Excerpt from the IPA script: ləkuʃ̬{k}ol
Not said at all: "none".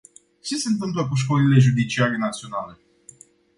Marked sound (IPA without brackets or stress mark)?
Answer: k